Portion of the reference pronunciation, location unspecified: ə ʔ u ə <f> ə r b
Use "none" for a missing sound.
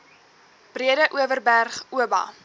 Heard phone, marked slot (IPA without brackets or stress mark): v